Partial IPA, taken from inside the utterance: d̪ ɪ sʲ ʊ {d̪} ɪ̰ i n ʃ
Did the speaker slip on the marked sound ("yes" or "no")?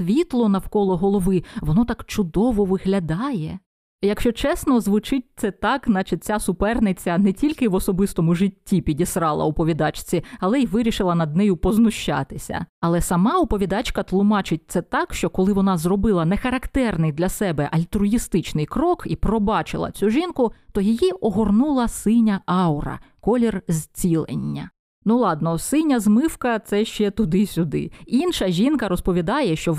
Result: no